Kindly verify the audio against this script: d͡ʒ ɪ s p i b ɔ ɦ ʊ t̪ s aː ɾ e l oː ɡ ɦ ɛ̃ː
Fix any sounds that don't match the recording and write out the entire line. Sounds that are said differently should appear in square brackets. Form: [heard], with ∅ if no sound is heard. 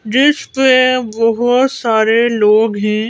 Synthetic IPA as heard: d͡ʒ ɪ s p [e] b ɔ ɦ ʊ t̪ s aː ɾ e l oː ɡ ɦ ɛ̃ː

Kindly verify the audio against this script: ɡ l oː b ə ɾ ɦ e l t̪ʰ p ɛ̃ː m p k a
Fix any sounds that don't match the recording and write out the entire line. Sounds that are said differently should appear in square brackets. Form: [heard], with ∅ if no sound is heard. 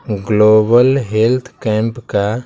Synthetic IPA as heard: ɡ l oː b ə [l] ɦ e l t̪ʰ [k] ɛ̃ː m p k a

